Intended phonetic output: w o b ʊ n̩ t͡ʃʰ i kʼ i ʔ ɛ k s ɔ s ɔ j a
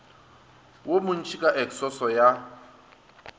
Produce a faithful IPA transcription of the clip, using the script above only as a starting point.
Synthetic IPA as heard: w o m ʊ n̩ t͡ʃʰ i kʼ a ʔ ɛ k s ɔ s ɔ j a